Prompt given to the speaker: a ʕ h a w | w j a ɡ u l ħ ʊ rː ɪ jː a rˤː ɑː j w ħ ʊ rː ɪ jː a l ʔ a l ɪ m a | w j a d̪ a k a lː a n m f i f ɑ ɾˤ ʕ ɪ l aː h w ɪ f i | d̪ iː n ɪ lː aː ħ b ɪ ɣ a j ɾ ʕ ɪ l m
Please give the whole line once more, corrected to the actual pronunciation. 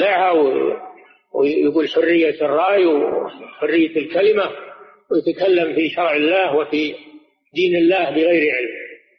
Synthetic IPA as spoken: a ʕ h a w | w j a ɡ uː l ħ ʊ rː ɪ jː a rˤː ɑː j w ħ ʊ rː ɪ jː a l k a l ɪ m a | w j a t̪ a k a lː a m f i ʃ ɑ ɾˤ ʕ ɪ lː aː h w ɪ f i | d̪ iː n ɪ lː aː h b ɪ ɣ a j ɾ ʕ ɪ l m